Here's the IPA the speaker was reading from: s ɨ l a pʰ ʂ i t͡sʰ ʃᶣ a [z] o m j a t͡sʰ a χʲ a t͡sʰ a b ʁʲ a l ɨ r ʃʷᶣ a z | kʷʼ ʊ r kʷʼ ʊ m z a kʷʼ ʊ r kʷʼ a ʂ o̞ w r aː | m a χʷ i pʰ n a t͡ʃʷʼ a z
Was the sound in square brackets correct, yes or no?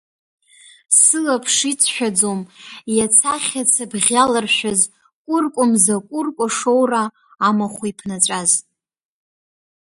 no